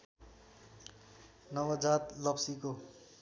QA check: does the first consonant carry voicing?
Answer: yes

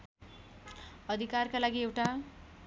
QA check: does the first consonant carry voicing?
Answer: yes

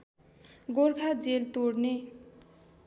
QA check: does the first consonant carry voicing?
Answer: yes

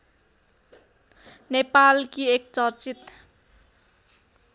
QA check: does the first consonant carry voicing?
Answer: yes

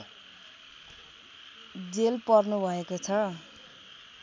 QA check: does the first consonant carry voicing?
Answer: yes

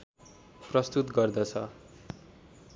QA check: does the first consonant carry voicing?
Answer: no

